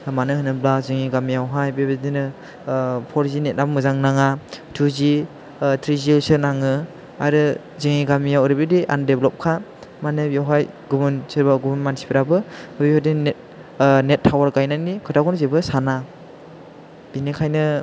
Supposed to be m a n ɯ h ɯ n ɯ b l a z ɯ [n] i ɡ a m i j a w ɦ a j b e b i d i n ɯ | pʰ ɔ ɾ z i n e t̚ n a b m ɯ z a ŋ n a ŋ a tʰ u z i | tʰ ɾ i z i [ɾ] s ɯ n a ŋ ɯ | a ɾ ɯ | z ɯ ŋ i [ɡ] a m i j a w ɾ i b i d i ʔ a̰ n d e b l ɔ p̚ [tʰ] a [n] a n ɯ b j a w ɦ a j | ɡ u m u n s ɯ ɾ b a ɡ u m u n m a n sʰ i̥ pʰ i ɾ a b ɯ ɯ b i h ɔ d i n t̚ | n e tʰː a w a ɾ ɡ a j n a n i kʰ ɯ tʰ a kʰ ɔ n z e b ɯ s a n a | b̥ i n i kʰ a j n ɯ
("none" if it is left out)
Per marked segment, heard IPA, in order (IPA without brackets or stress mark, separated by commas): ŋ, l, ɡ, kʰ, m